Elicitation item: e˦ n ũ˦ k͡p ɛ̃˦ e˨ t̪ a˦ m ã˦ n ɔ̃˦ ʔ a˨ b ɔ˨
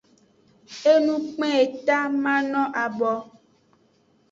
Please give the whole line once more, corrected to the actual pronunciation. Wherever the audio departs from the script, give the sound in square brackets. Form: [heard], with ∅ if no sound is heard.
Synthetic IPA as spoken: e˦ n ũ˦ k͡p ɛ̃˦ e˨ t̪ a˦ m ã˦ n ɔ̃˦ ʔ a˨ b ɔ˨